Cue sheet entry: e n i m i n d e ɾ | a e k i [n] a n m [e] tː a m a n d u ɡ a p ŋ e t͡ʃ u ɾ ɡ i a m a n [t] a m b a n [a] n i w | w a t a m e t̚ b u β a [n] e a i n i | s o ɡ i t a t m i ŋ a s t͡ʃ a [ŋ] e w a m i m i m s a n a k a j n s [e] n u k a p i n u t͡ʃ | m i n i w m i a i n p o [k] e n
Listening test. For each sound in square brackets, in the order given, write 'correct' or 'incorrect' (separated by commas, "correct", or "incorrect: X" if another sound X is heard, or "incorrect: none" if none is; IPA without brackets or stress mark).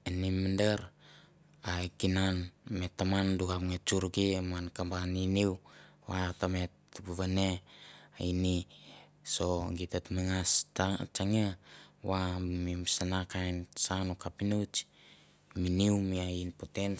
correct, correct, incorrect: k, incorrect: i, correct, correct, incorrect: a, incorrect: t